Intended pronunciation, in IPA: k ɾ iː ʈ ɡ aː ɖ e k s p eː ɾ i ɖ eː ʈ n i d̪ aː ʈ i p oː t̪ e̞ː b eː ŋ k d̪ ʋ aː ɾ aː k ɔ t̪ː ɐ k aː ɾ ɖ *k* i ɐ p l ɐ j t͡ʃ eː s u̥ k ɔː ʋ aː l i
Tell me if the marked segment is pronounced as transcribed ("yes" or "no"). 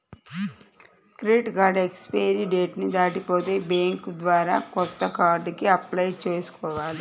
yes